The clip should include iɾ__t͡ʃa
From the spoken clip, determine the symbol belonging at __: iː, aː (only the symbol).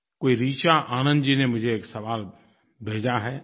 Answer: iː